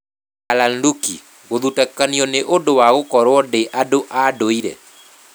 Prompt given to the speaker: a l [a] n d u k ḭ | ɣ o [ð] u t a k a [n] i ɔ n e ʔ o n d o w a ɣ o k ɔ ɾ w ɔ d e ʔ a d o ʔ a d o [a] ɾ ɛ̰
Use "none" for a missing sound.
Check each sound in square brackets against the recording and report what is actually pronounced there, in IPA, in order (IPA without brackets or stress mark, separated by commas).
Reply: a, ð, n, i